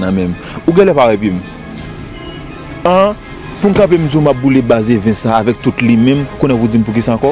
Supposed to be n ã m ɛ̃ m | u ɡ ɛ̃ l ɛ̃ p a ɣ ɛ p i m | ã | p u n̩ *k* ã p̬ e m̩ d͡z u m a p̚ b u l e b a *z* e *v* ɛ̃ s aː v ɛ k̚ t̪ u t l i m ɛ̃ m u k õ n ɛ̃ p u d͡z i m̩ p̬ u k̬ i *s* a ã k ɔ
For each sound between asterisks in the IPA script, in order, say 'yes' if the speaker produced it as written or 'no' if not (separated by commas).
yes, yes, yes, yes